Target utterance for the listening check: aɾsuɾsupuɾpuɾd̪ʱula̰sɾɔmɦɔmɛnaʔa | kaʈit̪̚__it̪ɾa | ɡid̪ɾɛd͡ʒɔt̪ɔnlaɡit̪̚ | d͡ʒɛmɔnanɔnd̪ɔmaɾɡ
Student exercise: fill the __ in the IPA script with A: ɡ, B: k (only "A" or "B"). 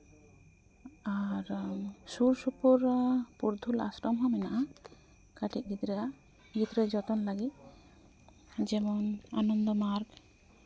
A